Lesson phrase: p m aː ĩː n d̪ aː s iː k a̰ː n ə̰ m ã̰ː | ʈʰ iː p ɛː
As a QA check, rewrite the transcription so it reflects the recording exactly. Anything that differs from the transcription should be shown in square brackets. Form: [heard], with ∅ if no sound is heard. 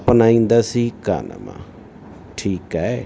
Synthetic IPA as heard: p [n] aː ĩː n d̪ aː s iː k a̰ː n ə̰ m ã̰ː | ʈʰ iː [k] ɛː